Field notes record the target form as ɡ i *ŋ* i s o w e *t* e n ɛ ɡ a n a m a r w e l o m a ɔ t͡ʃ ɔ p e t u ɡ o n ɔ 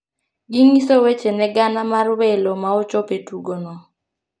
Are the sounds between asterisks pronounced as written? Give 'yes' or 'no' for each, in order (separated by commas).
yes, no